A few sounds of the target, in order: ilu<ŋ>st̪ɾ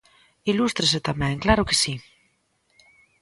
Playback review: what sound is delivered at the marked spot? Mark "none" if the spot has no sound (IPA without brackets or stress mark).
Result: none